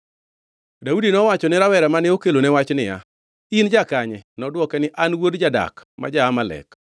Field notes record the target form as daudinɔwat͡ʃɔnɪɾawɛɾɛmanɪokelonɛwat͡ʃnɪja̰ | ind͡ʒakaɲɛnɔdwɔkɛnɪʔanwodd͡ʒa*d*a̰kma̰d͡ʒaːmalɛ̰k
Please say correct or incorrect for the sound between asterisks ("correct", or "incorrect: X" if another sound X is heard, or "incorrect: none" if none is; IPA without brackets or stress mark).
correct